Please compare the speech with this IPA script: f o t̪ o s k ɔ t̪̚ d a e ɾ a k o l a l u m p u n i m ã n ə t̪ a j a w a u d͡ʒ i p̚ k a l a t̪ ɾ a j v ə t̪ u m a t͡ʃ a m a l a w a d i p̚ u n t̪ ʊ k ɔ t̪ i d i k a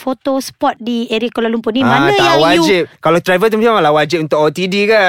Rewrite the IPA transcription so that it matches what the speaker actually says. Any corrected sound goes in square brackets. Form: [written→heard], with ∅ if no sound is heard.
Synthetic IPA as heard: f o t̪ o s [k→p] ɔ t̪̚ d [a→i] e ɾ [a→i] k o l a l u m p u n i m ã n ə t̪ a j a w a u d͡ʒ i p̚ k a l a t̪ ɾ a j v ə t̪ u m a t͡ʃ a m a l a w a [d→d͡ʒ] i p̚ u n t̪ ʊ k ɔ t̪ i d i k a